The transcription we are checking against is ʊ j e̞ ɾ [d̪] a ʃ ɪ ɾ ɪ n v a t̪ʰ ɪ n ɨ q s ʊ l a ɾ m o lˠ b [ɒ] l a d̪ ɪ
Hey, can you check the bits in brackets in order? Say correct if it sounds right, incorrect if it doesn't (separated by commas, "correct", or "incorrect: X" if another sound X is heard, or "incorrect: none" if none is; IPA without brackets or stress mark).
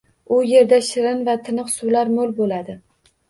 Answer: correct, incorrect: o